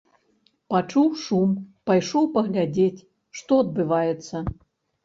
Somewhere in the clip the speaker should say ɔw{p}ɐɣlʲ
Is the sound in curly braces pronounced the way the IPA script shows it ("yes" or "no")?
yes